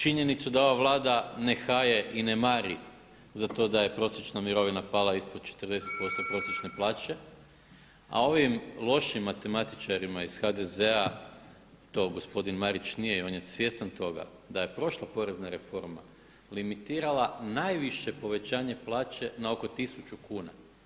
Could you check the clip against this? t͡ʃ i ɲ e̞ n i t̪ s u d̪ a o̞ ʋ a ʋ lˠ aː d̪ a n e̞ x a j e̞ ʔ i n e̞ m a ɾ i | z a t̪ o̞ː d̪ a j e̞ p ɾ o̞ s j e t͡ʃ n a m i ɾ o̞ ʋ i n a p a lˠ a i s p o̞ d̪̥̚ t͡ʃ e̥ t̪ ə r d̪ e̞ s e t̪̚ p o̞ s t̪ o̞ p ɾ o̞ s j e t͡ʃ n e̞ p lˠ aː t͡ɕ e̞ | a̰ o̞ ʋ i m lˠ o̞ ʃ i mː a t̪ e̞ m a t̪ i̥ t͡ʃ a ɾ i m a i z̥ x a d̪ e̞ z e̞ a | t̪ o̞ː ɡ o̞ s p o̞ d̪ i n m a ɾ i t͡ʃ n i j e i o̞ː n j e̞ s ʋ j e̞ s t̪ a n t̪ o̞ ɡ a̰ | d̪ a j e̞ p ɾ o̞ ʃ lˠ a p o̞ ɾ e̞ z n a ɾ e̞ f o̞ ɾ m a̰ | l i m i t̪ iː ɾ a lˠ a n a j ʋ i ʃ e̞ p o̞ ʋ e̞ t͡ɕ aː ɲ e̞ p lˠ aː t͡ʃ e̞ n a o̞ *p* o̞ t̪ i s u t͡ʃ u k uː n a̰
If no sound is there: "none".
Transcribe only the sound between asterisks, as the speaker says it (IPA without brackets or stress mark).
k